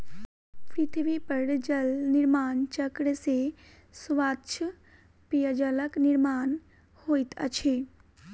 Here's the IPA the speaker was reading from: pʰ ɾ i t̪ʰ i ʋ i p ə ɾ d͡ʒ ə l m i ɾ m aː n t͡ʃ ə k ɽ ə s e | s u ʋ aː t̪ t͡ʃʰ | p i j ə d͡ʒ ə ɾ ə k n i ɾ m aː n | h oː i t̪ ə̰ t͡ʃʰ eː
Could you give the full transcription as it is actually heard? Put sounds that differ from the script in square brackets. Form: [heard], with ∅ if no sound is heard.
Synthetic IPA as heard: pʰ ɾ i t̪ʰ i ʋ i p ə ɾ d͡ʒ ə l [n] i ɾ m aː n t͡ʃ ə k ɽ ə s e | s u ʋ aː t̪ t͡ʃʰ | p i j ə d͡ʒ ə [l] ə k n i ɾ m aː n | h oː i t̪ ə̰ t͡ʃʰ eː